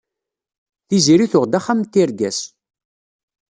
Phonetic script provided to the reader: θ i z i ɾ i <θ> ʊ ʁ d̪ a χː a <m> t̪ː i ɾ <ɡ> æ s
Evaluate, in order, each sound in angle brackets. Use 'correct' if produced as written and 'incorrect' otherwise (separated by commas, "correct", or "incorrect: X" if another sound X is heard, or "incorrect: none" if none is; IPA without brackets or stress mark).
correct, correct, correct